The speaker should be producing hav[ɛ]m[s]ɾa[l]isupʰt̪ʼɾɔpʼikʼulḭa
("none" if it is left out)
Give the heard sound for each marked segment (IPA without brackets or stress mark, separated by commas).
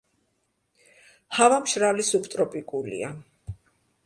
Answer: a, ʃ, l